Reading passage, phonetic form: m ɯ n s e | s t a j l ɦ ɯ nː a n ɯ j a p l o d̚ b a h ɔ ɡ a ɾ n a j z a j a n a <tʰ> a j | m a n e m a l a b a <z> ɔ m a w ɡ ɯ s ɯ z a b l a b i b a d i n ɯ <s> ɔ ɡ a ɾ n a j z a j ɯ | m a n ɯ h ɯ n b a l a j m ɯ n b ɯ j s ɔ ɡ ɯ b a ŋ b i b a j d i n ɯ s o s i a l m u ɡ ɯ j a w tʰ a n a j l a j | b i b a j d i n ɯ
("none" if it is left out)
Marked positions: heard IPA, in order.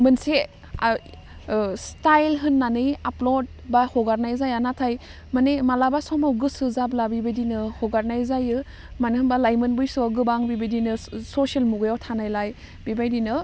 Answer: tʰ, s, h

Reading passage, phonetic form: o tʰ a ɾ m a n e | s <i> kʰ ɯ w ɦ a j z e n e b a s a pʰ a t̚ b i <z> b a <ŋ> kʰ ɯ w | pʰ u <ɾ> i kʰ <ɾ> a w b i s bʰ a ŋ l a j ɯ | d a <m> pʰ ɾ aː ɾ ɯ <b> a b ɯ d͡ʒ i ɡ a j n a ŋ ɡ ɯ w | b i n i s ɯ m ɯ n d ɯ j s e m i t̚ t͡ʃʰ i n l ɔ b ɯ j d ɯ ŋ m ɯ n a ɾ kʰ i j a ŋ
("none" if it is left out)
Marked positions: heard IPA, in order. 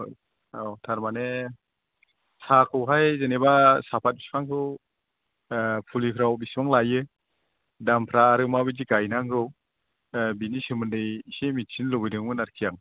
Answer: a, s, ŋ, l, ɾ, m, m

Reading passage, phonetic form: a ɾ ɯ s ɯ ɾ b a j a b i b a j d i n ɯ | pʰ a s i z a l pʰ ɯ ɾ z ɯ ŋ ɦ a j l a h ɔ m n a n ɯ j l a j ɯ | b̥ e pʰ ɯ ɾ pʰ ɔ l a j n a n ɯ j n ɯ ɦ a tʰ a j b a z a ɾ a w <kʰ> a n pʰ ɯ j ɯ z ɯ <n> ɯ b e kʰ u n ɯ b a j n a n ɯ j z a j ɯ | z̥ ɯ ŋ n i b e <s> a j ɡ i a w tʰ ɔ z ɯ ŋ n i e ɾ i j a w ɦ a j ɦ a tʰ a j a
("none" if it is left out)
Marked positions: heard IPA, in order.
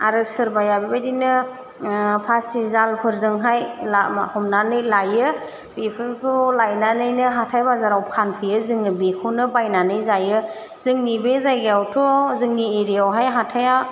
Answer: pʰ, ŋ, z

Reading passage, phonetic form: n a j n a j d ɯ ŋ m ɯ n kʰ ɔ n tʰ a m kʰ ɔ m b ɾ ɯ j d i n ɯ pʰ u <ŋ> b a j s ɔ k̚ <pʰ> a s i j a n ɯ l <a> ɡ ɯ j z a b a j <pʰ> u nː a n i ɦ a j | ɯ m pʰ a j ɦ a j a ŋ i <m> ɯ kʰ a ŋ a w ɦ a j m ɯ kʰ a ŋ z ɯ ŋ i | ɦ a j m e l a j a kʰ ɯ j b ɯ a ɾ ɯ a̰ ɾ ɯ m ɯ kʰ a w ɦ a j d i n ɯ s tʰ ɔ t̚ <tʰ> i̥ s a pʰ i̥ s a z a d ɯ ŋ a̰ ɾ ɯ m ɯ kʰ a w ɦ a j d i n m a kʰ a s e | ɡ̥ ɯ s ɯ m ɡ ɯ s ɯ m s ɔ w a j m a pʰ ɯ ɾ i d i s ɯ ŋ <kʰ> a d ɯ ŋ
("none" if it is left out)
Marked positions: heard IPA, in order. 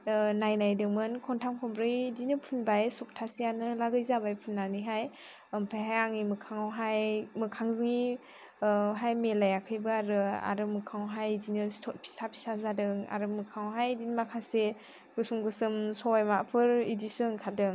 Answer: n, tʰ, a, pʰ, m, pʰ, kʰ

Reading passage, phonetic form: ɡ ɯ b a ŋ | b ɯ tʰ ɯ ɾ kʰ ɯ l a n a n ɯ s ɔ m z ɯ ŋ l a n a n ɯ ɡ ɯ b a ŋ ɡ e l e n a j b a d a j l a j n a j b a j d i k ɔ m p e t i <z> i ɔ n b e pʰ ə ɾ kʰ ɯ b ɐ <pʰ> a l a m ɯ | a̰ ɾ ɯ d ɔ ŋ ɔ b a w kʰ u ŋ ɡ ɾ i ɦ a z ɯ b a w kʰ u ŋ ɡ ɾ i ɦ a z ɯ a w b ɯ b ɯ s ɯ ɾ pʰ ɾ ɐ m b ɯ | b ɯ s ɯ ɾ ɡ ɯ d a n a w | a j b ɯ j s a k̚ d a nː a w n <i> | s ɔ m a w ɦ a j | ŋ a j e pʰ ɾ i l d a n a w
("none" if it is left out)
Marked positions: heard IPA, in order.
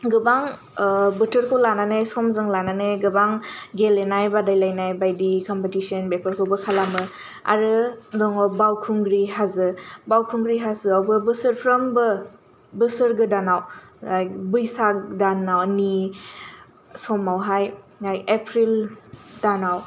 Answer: s, kʰ, i

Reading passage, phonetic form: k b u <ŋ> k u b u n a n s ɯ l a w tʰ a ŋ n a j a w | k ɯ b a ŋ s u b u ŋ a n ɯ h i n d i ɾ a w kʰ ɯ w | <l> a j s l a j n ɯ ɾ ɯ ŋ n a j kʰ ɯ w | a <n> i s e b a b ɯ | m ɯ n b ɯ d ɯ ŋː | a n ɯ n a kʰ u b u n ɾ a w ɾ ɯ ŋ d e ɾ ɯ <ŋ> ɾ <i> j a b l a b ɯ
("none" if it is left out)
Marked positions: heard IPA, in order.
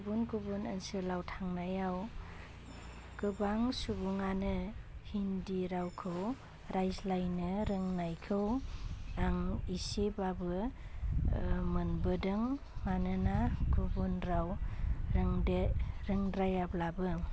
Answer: n, ɾ, ŋ, ŋ, a

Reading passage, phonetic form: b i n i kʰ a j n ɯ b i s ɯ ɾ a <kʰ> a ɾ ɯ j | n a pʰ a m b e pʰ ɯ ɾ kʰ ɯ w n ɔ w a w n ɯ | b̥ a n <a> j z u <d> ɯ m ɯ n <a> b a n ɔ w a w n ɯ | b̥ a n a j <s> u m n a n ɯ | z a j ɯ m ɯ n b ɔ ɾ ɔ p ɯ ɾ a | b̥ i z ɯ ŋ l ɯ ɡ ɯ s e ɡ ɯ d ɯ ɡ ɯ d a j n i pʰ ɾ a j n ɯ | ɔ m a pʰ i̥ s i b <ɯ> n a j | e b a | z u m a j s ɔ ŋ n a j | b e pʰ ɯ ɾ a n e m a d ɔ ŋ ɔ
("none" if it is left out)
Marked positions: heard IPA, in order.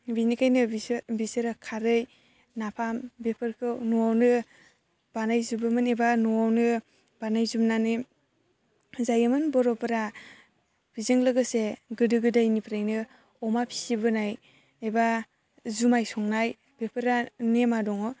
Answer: kʰ, a, b, e, z, ɯ

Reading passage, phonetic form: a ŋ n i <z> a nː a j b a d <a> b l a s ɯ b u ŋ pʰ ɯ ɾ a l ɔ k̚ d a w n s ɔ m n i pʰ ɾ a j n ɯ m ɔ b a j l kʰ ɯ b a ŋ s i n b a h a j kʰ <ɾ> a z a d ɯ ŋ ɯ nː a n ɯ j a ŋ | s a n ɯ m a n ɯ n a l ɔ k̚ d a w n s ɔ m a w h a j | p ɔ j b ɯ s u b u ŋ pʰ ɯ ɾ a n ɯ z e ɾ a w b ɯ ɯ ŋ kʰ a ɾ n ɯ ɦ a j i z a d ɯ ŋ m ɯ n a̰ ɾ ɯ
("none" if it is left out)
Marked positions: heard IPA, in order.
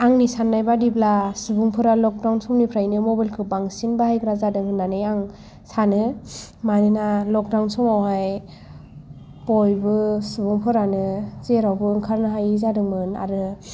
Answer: s, i, ɾ

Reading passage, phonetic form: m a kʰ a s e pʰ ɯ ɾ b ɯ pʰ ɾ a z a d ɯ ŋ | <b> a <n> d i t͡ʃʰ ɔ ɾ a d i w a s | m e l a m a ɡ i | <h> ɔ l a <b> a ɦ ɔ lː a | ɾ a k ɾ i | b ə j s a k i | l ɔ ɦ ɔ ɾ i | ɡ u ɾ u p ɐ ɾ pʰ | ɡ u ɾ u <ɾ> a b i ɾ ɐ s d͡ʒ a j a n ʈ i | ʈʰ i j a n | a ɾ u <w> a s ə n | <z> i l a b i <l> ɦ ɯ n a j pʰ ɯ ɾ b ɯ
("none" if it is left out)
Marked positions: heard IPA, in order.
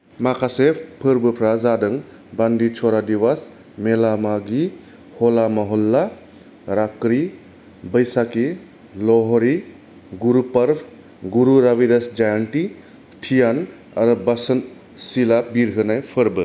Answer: b, n, h, m, ɾ, b, s, ɾ

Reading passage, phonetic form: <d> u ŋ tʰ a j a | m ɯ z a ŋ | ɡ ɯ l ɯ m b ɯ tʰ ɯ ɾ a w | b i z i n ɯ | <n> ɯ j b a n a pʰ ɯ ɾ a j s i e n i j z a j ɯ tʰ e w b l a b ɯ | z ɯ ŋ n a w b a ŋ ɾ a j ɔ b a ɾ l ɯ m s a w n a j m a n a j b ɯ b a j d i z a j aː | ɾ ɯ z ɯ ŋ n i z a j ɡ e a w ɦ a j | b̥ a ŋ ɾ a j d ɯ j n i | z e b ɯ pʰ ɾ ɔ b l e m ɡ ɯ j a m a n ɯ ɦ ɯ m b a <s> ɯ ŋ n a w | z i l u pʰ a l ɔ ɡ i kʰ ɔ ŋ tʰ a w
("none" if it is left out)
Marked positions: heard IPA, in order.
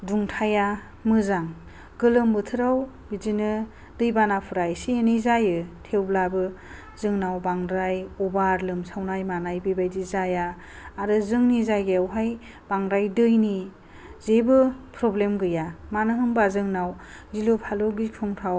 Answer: d, d, z

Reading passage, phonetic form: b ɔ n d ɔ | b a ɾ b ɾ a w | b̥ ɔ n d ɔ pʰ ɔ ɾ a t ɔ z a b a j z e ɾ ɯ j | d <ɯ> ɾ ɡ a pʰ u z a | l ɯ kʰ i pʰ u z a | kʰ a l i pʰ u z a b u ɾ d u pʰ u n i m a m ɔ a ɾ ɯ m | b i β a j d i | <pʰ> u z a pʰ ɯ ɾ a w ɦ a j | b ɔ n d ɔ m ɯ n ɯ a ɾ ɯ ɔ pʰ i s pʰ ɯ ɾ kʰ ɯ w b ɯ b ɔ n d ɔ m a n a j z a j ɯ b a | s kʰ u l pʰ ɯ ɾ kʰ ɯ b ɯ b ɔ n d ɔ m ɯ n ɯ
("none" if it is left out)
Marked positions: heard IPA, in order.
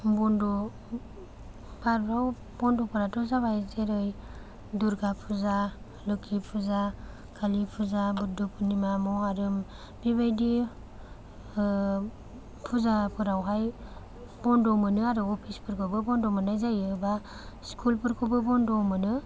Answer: u, pʰ

